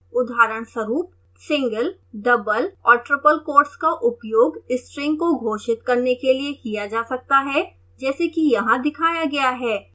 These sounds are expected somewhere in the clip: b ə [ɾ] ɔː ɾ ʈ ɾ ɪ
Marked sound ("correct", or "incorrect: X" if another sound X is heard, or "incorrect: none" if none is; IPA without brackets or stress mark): incorrect: l